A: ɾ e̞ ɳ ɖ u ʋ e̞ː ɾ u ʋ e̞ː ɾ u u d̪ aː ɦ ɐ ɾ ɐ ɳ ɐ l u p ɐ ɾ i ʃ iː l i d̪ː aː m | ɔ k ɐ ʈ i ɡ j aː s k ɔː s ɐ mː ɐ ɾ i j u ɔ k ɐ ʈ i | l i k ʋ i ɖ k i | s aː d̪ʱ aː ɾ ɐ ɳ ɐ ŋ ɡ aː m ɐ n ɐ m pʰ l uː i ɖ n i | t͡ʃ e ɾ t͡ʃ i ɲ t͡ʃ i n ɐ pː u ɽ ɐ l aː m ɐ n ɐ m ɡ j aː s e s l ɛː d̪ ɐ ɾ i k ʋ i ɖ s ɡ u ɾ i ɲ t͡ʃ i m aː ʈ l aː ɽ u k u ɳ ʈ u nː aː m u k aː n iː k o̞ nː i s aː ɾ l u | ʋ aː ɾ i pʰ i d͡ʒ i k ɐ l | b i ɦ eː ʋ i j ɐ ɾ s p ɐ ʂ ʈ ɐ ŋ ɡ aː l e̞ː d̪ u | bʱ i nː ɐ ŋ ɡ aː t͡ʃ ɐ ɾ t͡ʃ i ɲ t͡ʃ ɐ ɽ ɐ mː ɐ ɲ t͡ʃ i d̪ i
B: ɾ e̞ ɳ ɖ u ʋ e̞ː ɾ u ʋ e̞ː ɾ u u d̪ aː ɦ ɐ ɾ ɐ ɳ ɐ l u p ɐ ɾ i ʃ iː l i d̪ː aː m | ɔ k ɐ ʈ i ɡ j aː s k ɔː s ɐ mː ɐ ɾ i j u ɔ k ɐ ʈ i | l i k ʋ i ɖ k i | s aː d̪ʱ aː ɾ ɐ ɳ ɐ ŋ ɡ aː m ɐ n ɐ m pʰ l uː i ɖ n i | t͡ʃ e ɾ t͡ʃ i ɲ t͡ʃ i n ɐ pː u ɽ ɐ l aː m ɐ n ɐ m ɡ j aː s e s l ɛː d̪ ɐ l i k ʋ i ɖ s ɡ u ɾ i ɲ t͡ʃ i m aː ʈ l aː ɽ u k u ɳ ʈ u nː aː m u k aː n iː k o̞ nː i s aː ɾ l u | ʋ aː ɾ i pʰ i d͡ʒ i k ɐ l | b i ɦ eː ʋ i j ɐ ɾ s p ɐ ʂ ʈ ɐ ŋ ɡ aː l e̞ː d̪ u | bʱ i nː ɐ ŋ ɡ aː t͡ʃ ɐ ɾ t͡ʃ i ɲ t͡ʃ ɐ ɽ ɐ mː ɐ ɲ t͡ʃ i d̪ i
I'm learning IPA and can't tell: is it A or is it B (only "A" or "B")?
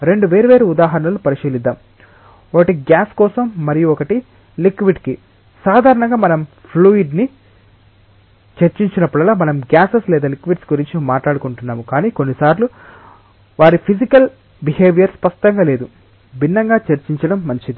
B